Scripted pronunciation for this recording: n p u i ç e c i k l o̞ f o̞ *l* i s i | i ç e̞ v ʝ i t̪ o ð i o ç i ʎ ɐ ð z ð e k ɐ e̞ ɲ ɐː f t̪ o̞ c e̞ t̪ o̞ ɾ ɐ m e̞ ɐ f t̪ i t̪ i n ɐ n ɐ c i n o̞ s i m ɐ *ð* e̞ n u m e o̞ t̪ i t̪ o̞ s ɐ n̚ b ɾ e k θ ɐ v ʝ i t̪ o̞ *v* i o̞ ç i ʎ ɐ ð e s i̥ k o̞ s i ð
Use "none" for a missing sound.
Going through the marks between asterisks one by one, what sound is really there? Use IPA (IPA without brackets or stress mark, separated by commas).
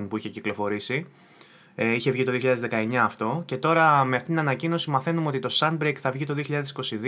ɾ, θ, ð